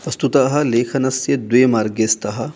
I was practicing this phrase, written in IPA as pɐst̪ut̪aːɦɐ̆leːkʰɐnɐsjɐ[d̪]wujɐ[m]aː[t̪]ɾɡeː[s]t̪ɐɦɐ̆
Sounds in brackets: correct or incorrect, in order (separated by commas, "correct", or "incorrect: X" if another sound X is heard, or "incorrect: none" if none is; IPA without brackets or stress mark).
correct, correct, incorrect: none, correct